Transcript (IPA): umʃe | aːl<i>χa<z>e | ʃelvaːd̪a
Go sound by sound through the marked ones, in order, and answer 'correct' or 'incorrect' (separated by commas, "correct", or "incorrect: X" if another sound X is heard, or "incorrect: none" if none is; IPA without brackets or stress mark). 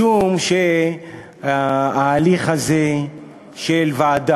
correct, correct